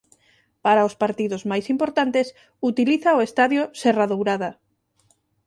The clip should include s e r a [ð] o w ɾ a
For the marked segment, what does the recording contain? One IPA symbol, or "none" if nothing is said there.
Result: ð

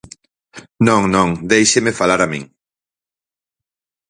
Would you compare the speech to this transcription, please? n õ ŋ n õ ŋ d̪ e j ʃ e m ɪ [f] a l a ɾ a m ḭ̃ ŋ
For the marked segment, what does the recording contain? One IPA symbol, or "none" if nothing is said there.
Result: f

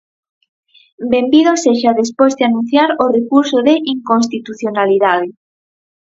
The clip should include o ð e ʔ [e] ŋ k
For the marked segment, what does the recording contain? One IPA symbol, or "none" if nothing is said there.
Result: i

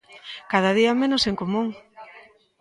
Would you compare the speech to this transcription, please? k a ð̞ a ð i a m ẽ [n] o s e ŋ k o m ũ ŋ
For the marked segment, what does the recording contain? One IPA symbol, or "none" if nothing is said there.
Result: n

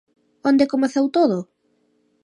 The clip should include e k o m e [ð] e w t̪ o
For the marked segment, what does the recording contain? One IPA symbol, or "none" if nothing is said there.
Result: θ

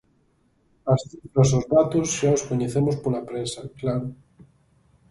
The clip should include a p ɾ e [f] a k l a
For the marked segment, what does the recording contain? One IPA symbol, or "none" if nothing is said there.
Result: s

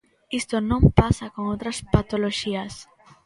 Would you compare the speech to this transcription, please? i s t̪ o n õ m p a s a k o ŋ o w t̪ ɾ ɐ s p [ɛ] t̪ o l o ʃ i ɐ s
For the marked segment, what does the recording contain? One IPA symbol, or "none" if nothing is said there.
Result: a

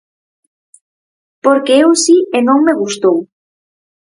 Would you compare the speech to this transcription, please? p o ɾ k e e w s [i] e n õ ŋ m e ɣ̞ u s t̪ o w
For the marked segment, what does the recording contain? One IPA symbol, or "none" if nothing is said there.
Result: i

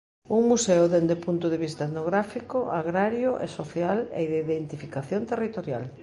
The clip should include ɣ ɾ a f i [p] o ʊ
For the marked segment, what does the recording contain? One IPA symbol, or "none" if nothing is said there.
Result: k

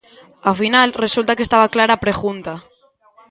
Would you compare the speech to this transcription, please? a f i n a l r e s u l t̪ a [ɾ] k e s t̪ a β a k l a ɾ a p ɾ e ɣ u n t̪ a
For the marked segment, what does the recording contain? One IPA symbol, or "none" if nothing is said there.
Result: none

